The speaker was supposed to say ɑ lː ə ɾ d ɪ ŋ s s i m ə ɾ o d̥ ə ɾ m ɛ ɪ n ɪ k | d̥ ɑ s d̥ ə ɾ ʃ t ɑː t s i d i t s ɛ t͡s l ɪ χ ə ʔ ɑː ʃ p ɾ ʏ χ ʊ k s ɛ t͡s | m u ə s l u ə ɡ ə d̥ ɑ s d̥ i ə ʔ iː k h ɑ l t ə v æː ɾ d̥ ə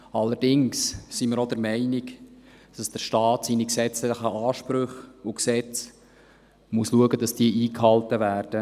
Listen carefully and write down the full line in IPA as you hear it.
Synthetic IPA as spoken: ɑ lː ə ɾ d ɪ ŋ s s i m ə ɾ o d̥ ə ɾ m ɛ ɪ n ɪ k | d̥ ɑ s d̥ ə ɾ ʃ t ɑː t s i n i k s ɛ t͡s l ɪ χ ə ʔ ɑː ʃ p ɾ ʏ χ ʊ k s ɛ t͡s | m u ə s l u ə ɡ ə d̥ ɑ s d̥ i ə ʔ iː k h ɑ l t ə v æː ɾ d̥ ə